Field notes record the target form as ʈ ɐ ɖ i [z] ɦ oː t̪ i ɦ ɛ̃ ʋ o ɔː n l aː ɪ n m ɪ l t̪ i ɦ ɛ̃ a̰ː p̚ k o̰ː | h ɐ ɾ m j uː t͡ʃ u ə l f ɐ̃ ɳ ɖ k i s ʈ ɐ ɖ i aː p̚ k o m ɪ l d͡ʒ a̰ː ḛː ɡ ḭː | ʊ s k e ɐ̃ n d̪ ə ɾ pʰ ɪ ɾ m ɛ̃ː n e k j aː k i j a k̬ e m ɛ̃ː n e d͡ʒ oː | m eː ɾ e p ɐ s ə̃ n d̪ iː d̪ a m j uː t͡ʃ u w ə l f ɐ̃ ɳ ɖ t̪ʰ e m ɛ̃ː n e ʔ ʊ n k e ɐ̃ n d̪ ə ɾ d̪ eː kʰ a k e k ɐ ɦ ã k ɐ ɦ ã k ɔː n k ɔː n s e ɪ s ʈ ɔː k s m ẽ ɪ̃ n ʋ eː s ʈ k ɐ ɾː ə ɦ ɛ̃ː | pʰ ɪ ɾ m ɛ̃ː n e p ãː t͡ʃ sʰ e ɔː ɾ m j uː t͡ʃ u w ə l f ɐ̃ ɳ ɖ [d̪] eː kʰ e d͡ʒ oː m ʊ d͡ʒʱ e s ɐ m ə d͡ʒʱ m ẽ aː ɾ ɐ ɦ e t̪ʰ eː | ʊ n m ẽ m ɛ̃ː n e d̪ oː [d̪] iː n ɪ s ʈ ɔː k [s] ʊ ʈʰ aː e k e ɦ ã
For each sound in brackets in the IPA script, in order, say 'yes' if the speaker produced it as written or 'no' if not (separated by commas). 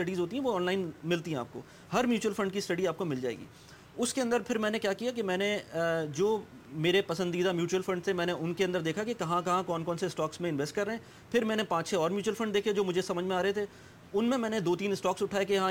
yes, yes, no, yes